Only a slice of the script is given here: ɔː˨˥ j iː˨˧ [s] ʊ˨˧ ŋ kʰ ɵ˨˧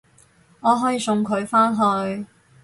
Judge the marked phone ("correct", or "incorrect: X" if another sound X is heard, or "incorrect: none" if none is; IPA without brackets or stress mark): correct